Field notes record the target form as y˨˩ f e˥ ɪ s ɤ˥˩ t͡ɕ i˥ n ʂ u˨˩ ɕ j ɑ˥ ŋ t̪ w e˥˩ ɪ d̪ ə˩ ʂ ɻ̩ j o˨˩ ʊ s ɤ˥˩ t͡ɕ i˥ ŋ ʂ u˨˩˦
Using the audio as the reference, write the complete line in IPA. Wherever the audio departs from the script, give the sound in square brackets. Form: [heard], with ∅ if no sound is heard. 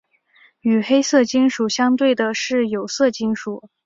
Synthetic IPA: y˨˩ [x] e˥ ɪ s ɤ˥˩ t͡ɕ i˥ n ʂ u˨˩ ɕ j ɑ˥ ŋ t̪ w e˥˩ ɪ d̪ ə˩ ʂ ɻ̩ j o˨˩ ʊ s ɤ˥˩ t͡ɕ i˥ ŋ ʂ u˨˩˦